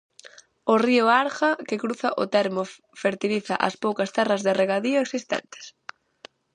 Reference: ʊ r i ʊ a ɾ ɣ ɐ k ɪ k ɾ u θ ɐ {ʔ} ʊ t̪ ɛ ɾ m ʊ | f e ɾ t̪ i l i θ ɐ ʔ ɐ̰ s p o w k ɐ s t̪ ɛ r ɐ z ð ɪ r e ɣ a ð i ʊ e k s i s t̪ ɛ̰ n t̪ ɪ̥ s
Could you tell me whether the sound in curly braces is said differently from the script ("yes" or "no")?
no